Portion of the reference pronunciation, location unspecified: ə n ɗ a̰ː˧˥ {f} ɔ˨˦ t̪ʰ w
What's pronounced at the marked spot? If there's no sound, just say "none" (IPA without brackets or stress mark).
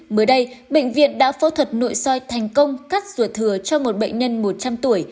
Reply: f